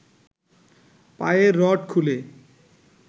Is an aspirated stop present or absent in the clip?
present